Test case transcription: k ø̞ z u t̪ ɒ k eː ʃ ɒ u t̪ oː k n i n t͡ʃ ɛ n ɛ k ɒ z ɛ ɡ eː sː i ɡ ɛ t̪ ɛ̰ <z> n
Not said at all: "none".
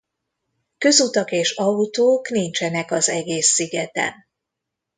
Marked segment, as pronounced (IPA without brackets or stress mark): none